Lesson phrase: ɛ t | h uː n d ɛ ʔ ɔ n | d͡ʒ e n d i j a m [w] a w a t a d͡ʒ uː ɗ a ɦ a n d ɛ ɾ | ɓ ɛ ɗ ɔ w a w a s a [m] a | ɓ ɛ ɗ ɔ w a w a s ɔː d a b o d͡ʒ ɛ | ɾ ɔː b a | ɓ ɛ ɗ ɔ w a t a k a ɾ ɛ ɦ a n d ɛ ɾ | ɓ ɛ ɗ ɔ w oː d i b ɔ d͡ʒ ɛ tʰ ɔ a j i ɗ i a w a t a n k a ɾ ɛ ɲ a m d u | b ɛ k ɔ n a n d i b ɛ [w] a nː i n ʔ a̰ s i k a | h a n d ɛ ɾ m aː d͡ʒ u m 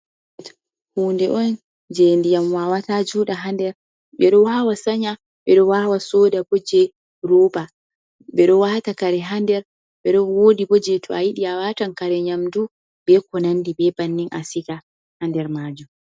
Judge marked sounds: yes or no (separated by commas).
yes, no, no